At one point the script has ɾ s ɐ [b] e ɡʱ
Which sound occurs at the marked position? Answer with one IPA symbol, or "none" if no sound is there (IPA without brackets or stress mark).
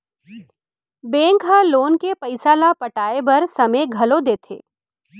m